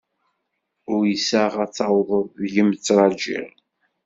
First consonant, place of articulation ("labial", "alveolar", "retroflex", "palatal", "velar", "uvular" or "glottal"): alveolar